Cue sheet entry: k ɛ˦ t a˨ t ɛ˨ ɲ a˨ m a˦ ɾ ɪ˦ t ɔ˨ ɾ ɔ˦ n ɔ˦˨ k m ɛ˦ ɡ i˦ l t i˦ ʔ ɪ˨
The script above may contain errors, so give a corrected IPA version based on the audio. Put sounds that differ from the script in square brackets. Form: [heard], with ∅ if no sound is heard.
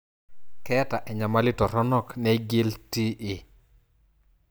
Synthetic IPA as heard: k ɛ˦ t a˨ [ʔ] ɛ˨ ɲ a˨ m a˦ [l] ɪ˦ t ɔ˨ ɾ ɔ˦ n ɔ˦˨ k [n] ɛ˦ ɡ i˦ l t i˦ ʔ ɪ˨

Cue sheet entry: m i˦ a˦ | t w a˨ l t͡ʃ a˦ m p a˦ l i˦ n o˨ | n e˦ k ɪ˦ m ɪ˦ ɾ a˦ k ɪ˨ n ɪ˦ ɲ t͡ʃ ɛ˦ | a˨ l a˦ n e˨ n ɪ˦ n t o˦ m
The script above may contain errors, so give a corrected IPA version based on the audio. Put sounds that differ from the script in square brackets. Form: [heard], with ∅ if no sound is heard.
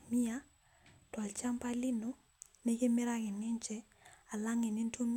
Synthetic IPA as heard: m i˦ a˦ | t w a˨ l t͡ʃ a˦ m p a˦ l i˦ n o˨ | n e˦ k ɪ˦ m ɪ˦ ɾ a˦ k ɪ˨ n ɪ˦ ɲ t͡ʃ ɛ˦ | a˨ l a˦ [ŋ] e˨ n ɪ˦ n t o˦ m

